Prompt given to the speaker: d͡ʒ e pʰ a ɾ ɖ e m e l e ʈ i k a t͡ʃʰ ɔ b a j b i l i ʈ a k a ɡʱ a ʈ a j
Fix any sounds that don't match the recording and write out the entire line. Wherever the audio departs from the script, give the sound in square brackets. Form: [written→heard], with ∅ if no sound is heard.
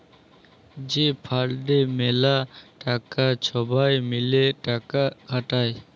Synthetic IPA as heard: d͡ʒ e pʰ a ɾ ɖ e m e l [e→a] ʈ [i→a] k a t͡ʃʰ ɔ b a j [b→m] i l [i→e] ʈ a k a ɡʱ a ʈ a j